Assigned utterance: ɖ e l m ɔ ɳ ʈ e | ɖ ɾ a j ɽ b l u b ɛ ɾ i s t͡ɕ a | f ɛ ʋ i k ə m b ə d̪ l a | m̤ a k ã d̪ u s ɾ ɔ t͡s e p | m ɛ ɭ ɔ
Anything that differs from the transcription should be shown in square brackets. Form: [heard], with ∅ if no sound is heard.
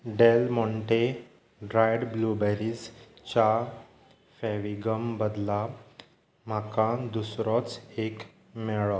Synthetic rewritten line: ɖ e l m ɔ ɳ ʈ e | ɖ ɾ a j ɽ b l u b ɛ ɾ i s t͡ɕ a | f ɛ ʋ i [ɡ] ə m b ə d̪ l a | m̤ a k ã d̪ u s ɾ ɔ t͡s e [k] | m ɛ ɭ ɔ